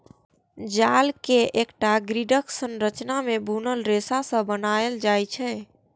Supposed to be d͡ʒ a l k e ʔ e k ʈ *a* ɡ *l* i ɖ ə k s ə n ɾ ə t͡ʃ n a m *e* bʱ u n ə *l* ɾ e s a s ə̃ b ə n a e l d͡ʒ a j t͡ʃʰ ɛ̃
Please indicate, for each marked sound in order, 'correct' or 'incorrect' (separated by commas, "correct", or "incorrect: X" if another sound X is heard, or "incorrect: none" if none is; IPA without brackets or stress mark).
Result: correct, incorrect: ɾ, correct, correct